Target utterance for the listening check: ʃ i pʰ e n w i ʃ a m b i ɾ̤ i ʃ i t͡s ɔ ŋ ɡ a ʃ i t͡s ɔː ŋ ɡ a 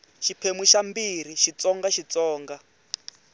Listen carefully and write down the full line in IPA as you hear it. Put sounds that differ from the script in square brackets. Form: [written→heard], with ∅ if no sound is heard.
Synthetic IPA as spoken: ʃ i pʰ e [n→m] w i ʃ a m b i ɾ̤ i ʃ i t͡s ɔ ŋ ɡ a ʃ i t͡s ɔː ŋ ɡ a